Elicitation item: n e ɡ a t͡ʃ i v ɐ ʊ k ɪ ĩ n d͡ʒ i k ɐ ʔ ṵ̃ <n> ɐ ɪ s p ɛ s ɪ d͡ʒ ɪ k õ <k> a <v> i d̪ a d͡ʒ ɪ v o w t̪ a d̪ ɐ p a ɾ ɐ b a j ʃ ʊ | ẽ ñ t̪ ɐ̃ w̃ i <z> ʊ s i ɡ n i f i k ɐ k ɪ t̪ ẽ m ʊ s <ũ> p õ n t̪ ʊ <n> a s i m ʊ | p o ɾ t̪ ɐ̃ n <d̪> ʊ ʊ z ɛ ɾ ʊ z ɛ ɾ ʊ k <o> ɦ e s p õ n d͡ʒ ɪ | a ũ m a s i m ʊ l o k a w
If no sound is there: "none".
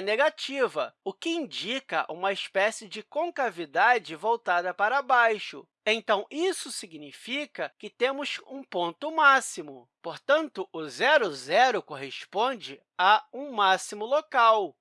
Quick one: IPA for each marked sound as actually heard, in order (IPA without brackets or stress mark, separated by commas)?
m, k, v, s, ũ, m, t̪, o